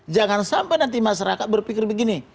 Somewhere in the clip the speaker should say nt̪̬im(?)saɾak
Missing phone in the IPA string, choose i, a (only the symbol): a